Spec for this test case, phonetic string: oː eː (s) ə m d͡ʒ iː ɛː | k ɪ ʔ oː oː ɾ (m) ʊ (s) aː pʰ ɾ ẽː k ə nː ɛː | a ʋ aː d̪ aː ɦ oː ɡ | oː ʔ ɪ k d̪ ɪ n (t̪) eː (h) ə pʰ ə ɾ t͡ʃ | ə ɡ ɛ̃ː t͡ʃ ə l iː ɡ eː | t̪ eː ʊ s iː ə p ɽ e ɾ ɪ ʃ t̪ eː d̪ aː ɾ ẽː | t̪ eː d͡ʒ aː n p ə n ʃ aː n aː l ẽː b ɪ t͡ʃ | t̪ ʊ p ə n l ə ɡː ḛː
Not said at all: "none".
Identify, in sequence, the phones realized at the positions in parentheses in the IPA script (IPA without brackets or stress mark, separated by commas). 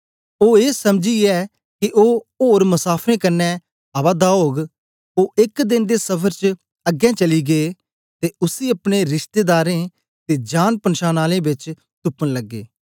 s, m, s, d̪, s